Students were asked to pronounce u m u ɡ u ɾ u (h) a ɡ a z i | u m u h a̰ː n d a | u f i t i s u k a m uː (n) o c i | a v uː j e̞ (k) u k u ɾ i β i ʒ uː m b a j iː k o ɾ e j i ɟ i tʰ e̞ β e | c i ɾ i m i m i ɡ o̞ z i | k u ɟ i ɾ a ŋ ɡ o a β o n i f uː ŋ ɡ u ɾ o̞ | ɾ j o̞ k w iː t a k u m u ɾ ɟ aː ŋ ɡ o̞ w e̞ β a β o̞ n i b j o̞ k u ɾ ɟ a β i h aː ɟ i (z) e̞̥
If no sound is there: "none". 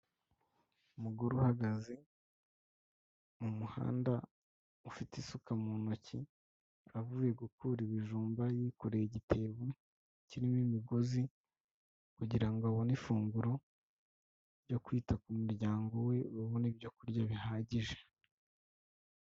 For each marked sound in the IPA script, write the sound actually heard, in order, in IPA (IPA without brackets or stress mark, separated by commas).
h, n, ɡ, ʒ